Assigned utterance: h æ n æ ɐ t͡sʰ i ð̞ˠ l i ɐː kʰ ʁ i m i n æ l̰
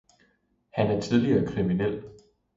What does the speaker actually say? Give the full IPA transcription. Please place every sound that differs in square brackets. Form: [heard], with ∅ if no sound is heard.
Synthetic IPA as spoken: h æ n æ ɐ t͡sʰ i ð̞ˠ l i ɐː kʰ ʁ i m i n [e] l̰